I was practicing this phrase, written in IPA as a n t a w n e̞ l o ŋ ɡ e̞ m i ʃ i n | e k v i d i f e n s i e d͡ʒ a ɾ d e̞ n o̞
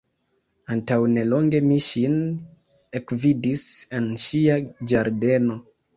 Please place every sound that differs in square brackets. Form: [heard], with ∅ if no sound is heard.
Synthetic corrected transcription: a n t a w n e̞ l o ŋ ɡ e̞ m i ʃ i n | e k v i d i [s] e n [ʃ] i [a] d͡ʒ a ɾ d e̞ n o̞